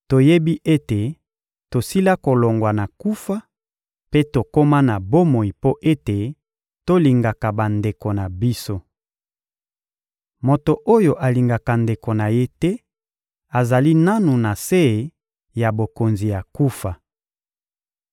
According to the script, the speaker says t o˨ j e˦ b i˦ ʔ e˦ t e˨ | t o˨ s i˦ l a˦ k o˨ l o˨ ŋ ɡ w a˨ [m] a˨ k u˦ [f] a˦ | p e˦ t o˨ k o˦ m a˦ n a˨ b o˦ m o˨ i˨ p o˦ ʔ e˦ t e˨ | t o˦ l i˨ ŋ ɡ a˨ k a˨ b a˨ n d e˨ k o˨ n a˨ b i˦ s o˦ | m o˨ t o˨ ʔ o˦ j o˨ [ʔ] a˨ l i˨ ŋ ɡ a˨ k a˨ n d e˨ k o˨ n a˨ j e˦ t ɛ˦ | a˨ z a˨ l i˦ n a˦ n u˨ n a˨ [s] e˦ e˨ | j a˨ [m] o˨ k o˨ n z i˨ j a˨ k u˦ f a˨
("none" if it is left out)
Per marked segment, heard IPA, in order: n, f, ʔ, s, b

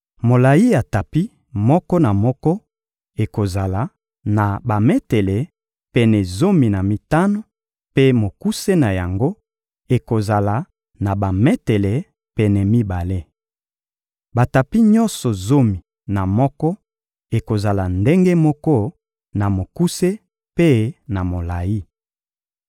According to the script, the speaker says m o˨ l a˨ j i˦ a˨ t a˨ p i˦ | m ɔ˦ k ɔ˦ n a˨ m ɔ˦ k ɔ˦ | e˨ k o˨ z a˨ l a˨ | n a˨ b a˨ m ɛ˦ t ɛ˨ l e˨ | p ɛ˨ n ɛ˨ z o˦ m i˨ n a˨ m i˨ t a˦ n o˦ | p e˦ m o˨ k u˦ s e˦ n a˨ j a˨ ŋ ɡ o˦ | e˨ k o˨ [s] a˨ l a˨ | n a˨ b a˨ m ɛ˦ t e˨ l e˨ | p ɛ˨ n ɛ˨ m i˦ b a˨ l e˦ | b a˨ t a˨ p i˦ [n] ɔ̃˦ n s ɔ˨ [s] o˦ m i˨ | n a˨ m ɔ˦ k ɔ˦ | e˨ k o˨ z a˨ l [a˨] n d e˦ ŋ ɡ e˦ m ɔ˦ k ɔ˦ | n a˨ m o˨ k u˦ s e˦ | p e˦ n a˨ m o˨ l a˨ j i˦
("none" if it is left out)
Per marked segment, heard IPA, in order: z, ɲ, z, a˨

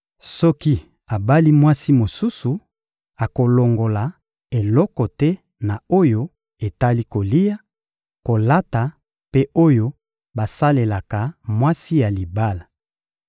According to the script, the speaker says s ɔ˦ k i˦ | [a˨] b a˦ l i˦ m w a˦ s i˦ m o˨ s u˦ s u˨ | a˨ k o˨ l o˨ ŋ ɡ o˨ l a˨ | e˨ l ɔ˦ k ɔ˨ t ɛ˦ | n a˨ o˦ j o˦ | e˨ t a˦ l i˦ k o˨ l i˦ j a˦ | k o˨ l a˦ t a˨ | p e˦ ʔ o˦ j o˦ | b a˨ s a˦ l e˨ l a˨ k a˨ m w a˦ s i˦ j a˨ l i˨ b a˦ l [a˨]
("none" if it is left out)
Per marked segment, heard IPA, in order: a˨, a˨

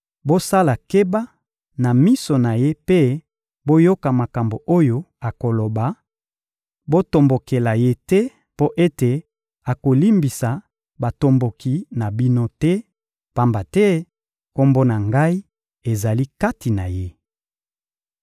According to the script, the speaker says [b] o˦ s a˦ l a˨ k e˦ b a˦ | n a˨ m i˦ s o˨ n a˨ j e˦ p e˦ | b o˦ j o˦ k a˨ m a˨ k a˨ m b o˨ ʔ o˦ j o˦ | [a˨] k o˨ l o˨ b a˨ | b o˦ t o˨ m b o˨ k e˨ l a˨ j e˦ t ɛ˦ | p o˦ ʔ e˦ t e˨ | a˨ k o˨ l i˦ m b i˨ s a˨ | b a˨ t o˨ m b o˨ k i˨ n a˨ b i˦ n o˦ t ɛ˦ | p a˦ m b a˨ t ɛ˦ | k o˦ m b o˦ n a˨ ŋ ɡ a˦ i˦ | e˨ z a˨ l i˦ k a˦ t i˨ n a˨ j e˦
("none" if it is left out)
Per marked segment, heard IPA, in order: b, a˨

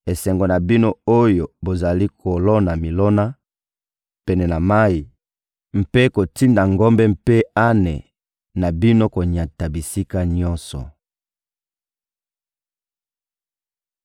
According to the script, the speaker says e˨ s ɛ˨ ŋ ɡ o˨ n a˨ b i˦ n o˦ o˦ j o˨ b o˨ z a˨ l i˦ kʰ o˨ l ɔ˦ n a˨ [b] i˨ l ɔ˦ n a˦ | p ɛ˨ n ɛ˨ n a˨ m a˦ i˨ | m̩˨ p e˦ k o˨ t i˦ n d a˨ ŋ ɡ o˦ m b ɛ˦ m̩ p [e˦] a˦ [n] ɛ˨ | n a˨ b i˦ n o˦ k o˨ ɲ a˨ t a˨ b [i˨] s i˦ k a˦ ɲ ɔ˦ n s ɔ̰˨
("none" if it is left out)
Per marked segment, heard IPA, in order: m, e˦, n, i˨

